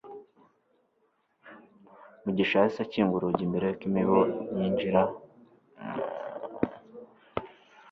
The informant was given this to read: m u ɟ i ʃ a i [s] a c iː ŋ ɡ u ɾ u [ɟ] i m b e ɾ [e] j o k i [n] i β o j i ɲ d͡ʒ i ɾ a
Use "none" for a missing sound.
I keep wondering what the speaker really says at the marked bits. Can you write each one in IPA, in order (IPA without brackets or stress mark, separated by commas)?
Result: s, ɟ, e, m